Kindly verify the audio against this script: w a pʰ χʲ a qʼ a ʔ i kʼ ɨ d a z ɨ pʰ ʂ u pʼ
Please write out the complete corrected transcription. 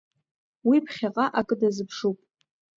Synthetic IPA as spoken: w i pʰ χʲ a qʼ a ʔ a kʼ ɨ d a z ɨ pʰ ʂ u pʼ